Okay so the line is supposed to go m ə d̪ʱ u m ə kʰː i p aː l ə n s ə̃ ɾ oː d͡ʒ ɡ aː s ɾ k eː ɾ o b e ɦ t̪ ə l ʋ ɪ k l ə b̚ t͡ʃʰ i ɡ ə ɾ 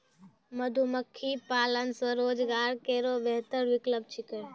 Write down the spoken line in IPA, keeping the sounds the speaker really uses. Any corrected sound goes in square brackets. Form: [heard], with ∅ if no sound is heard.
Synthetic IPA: m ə d̪ʱ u m ə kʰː i p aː l ə n s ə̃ ɾ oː d͡ʒ ɡ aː [∅] ɾ k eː ɾ o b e ɦ t̪ ə [ɾ] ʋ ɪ k l ə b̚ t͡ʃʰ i [k] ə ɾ